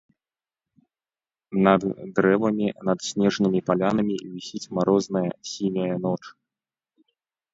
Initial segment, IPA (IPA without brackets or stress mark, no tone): n